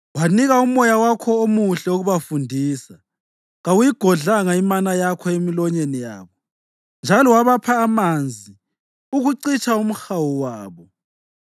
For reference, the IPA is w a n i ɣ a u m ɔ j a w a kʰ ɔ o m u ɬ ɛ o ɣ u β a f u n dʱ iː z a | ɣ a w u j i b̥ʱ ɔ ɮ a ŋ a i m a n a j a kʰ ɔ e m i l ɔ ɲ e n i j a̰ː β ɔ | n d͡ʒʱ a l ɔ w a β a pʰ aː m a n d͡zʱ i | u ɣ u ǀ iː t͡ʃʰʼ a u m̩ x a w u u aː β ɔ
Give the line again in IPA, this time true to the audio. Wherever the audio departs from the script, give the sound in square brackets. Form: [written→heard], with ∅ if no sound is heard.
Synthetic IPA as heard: w a n i ɣ a u m ɔ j a w a kʰ ɔ o m u ɬ ɛ o ɣ u β a f u n dʱ iː [z→s] a | ɣ a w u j i [b̥ʱ→ɡ̥ʱ] ɔ ɮ a ŋ a i m a n a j a kʰ ɔ e m i l ɔ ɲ e n i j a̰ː β ɔ | n d͡ʒʱ a l ɔ w a β a pʰ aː m a n d͡zʱ i | u ɣ u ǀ [iː→i] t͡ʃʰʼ a u m̩ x a w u [u→w] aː β ɔ